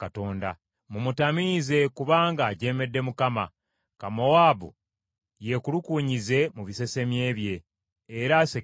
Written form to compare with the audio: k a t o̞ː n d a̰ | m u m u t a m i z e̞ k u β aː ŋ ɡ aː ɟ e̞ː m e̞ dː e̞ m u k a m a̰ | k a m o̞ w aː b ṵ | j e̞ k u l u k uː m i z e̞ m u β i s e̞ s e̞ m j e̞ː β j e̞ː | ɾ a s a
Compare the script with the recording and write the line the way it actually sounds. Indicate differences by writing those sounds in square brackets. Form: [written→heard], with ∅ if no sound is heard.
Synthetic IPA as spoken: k a t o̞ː n d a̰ | m u m u t a m i z e̞ k u β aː ŋ ɡ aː ɟ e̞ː m e̞ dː e̞ m u k a m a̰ | k a m o̞ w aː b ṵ | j e̞ k u l u k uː [m→ɲ] i z e̞ m u β i s e̞ s e̞ m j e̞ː β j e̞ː | ɾ a s [a→e]